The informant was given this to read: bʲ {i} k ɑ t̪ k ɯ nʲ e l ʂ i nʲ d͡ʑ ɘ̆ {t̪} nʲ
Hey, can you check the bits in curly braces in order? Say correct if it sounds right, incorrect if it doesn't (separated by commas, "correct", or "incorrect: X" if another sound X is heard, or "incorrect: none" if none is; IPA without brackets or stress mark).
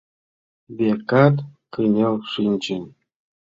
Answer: incorrect: e, incorrect: none